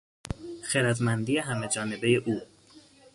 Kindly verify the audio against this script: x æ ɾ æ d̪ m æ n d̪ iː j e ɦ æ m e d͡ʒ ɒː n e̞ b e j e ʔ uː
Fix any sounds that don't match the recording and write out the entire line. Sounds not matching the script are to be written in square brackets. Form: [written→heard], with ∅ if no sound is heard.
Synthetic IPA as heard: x [æ→e] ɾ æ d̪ m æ n d̪ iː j e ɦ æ m e d͡ʒ ɒː n e̞ b e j e ʔ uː